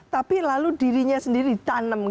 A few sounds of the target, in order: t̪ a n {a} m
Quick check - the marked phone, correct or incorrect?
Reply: incorrect